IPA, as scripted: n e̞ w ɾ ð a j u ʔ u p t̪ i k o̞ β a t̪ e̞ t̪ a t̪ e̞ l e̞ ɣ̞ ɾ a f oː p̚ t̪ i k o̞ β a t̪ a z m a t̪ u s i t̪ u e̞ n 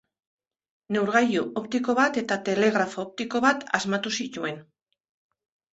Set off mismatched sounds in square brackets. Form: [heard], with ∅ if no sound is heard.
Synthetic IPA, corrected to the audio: n e̞ w ɾ [ɣ] a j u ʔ [o] p t̪ i k o̞ β a t̪ e̞ t̪ a t̪ e̞ l e̞ ɣ̞ ɾ a f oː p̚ t̪ i k o̞ β a t̪ a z m a t̪ u s i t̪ u e̞ n